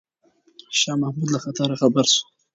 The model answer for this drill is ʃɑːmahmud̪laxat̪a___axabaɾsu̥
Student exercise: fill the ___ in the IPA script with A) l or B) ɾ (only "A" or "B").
B